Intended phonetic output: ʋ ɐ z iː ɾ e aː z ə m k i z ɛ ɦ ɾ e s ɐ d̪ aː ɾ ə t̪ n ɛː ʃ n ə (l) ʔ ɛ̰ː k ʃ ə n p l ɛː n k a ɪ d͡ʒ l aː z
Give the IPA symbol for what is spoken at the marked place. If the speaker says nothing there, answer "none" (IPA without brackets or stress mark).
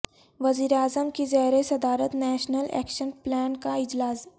l